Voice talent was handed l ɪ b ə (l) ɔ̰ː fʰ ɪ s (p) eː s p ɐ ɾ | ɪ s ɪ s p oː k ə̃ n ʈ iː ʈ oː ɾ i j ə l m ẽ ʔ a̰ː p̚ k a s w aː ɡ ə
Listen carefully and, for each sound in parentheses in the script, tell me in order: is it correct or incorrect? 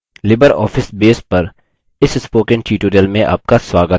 incorrect, incorrect

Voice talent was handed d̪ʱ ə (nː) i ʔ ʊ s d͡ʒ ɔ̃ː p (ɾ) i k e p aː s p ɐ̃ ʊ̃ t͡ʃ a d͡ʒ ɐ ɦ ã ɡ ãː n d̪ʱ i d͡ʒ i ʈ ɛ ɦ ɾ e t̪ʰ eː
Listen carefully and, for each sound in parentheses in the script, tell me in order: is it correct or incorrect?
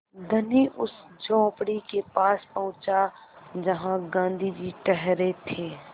incorrect, incorrect

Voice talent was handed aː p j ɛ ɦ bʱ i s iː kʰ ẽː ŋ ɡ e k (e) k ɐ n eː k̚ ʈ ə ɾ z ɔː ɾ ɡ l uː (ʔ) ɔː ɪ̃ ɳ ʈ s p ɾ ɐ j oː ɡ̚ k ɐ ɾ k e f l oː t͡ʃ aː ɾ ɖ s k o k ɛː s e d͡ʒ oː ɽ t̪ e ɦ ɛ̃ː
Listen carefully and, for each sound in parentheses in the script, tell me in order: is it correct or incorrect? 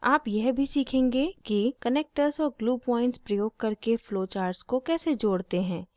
incorrect, incorrect

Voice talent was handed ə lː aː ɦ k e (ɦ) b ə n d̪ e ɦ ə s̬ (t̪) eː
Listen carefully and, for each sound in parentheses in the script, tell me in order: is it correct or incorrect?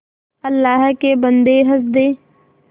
incorrect, incorrect

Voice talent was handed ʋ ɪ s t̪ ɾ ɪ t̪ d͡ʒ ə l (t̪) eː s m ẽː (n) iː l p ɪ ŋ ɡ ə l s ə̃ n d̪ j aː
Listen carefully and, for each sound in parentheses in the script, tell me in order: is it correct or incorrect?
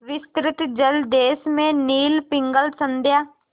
incorrect, correct

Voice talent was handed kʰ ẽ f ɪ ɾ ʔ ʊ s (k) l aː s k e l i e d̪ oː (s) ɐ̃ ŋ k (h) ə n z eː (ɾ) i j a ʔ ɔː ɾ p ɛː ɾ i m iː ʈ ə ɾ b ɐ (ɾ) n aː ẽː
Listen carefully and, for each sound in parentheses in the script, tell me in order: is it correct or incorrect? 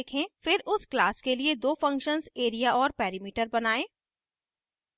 correct, incorrect, incorrect, correct, incorrect

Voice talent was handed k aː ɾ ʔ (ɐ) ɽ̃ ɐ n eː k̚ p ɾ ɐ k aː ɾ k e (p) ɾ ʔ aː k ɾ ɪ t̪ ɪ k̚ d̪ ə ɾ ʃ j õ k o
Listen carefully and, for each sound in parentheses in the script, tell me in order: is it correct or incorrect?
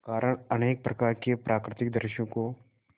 incorrect, correct

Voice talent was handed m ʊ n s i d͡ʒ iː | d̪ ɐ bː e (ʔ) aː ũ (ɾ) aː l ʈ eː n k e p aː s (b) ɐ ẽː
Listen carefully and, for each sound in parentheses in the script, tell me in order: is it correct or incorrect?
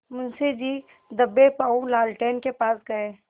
incorrect, incorrect, incorrect

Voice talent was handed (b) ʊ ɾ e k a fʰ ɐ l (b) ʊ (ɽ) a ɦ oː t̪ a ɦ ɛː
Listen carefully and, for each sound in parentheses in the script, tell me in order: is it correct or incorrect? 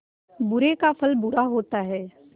correct, correct, incorrect

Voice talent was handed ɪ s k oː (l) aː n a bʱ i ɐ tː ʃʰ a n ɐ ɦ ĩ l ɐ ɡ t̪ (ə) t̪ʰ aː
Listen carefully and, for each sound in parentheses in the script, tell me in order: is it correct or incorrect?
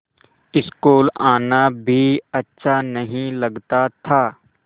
correct, incorrect

